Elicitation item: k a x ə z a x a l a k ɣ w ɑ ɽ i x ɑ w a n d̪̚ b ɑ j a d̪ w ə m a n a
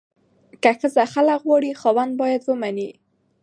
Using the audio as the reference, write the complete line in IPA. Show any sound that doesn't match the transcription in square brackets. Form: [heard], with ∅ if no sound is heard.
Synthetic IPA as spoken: k a x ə z a x a l a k ɣ w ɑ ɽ i x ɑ w a n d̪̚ b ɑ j a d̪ w ə m a n [i]